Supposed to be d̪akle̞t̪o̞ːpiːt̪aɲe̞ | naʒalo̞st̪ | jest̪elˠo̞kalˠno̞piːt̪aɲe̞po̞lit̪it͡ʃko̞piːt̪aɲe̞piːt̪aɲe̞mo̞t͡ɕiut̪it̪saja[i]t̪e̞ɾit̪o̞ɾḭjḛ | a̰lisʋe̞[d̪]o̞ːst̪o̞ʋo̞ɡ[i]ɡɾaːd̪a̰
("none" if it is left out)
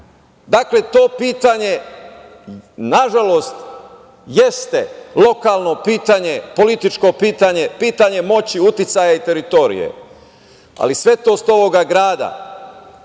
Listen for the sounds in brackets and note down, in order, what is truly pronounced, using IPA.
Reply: i, t̪, a

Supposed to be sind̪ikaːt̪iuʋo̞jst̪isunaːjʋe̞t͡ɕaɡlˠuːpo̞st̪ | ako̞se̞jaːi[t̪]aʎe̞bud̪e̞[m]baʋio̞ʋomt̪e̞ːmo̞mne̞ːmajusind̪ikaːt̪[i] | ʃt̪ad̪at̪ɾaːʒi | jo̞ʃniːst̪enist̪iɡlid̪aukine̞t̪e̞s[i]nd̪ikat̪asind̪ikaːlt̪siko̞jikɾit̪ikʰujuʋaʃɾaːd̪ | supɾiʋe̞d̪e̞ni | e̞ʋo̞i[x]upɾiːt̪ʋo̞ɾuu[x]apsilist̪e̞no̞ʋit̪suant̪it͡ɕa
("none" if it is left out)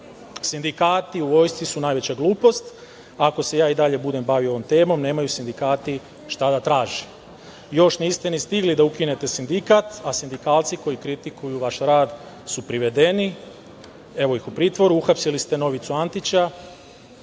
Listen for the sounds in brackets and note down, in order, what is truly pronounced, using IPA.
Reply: d̪, m, i, i, x, x

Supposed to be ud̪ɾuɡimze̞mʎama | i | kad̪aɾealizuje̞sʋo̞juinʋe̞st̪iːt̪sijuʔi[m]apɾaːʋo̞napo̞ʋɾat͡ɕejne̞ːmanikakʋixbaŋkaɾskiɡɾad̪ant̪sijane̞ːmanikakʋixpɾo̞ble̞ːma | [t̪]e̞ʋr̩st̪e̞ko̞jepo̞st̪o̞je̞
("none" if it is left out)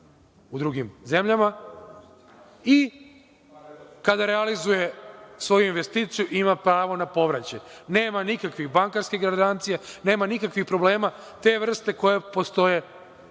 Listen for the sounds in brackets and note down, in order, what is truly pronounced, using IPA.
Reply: m, t̪

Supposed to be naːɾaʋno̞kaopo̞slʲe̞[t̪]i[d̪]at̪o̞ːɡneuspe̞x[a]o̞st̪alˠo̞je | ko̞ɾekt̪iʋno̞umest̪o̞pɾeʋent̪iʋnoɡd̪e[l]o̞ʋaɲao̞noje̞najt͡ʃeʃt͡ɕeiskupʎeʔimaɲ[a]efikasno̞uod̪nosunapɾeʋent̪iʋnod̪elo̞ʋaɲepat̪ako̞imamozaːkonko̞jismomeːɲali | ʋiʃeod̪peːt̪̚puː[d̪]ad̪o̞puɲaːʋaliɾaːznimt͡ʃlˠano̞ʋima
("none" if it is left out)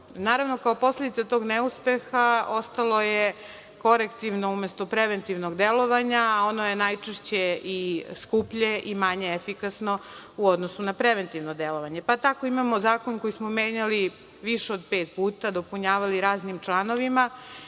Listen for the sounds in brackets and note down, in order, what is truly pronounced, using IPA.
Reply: d̪, t̪, a, l, e, t̪

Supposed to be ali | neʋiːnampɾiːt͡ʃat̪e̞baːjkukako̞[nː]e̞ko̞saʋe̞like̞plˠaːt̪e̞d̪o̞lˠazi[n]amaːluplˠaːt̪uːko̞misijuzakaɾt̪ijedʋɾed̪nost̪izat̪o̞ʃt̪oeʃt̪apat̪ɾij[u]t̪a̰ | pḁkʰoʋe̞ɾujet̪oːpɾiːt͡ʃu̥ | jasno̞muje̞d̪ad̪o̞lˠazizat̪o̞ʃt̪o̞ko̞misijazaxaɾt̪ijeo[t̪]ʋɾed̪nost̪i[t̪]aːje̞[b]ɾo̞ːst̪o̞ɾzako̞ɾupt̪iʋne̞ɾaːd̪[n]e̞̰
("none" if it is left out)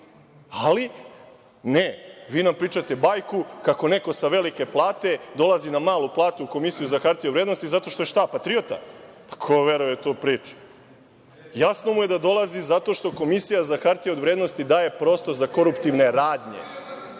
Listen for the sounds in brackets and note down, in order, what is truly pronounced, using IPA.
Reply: n, n, o, d̪, d̪, p, ɲ

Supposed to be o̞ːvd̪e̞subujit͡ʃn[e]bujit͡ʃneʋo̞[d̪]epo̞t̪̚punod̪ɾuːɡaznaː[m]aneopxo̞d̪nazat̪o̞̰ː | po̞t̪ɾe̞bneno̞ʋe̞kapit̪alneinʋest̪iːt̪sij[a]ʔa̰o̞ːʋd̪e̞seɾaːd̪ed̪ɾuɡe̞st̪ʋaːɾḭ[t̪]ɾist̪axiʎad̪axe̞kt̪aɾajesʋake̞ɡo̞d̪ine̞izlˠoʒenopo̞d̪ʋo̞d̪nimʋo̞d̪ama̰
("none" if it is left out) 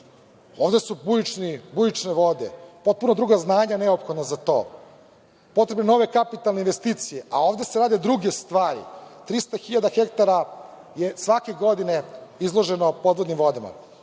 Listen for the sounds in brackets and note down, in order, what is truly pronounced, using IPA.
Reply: i, d̪, ɲ, e, t̪

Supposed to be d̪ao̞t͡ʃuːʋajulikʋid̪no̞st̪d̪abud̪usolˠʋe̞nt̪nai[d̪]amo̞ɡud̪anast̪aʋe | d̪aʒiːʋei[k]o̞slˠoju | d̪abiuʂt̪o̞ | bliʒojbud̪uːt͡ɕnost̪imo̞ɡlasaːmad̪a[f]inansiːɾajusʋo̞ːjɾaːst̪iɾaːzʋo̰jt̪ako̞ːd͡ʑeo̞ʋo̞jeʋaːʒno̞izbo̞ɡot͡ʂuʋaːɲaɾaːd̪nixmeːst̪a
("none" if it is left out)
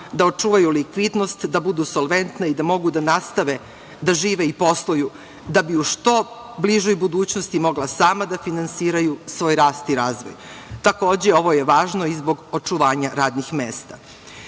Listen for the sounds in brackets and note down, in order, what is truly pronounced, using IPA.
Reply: d̪, p, f

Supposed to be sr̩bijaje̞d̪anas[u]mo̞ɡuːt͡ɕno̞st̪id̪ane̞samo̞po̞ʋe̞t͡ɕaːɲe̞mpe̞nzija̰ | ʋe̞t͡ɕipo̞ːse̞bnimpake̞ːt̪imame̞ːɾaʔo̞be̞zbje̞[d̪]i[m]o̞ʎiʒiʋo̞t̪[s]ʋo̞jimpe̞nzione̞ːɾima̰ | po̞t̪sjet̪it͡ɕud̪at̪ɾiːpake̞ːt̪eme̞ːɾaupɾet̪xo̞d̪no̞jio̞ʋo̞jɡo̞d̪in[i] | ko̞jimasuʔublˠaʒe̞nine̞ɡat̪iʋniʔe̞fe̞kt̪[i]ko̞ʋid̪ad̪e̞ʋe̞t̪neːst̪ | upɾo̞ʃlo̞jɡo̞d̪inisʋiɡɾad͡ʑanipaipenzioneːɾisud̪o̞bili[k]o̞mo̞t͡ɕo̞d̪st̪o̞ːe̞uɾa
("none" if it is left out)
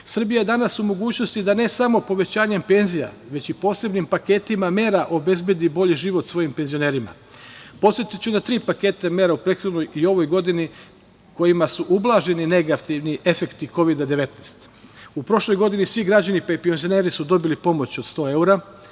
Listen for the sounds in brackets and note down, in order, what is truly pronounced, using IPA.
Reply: u, d̪, b, s, i, i, p

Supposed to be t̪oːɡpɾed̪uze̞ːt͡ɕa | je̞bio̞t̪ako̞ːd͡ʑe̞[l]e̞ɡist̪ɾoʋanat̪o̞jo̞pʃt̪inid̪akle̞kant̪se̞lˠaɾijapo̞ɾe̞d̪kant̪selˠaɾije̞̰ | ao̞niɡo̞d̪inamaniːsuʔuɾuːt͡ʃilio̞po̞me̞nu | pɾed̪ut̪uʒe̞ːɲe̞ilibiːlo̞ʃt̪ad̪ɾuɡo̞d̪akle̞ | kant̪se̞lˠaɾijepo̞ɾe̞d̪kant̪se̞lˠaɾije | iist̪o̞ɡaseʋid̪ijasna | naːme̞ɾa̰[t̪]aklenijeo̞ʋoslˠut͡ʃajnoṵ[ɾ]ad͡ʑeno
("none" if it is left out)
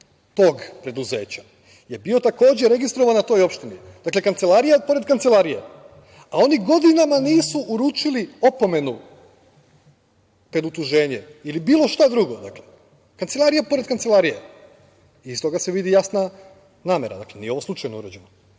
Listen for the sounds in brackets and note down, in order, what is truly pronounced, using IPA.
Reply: ɾ, d̪, ɾ

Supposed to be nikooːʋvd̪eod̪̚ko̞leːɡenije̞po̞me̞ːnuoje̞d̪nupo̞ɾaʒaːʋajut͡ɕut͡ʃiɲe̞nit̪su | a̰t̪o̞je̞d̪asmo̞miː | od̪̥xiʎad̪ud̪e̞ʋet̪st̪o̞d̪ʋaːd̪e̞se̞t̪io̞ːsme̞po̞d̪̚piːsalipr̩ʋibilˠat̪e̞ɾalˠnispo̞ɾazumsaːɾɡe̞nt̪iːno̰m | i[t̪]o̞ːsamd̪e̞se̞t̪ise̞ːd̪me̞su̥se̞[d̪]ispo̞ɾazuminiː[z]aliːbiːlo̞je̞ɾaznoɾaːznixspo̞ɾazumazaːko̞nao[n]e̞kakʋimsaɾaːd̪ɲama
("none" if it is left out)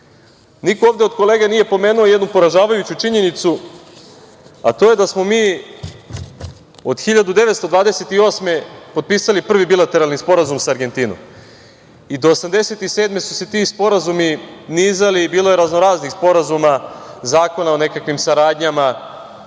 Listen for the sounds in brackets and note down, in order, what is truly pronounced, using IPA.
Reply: d̪, t̪, z, n

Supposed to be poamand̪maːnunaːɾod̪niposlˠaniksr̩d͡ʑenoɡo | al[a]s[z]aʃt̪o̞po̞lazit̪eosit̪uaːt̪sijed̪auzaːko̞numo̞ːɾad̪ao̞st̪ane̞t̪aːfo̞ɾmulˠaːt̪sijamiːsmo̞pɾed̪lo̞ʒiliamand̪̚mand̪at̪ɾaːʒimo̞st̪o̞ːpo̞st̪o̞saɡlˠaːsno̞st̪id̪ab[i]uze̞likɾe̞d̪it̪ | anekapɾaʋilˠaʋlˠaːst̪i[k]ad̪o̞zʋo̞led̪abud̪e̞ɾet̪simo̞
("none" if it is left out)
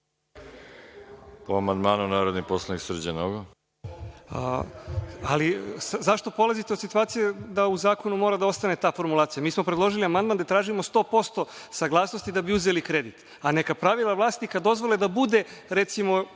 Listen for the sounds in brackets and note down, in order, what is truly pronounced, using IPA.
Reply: i, z, i, k

